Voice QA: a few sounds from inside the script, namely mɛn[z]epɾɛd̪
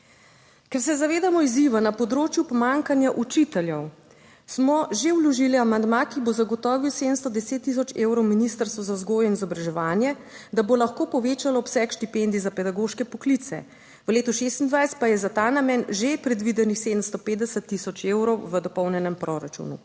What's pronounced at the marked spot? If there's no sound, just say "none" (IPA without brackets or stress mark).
ʒ